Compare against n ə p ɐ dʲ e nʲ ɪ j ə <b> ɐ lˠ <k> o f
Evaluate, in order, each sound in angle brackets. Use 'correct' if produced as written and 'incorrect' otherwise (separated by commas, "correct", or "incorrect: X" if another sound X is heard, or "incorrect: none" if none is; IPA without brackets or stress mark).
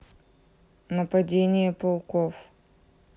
incorrect: p, correct